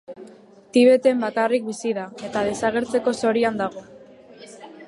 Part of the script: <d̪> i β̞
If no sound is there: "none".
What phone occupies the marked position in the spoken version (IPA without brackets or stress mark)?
t̪